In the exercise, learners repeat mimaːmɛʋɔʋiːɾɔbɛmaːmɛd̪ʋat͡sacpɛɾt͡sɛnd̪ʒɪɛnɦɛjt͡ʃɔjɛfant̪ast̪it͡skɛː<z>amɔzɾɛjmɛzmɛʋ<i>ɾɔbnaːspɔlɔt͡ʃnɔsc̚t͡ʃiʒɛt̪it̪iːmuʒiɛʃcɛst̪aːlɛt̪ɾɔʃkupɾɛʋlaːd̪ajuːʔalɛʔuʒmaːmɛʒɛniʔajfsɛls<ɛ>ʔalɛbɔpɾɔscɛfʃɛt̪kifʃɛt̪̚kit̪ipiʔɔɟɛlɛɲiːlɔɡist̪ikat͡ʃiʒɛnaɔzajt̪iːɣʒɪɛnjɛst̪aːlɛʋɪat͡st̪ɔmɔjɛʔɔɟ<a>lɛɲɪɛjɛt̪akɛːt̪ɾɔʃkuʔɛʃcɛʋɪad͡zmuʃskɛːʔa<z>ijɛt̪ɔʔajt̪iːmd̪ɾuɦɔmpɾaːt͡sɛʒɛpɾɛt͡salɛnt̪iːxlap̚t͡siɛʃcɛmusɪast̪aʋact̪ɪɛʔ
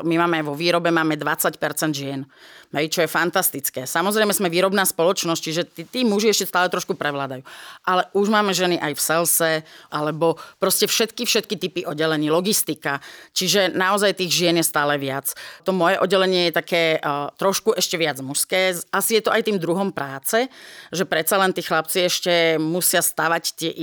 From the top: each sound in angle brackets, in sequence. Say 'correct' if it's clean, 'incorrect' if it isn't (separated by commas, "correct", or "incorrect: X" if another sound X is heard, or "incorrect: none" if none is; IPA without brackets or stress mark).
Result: incorrect: s, incorrect: iː, correct, incorrect: ɛ, incorrect: s